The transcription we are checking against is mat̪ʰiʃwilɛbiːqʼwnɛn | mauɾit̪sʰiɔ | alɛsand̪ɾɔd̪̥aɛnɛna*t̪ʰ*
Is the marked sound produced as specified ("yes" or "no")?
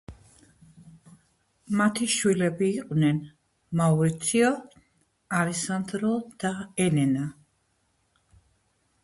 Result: no